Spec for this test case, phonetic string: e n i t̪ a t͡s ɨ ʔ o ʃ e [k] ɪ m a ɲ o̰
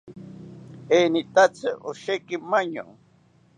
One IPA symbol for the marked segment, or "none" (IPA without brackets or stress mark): k